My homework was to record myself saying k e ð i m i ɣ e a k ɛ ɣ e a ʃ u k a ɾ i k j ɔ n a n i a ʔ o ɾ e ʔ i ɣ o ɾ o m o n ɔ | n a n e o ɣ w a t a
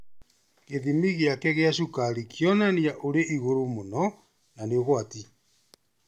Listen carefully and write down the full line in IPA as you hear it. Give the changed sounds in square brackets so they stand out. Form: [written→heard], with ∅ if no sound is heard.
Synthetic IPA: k e ð i m i ɣ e a k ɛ ɣ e a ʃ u k a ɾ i k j ɔ n a n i a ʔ o ɾ e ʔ i ɣ o ɾ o m o n ɔ | n a n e o ɣ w a t [a→i]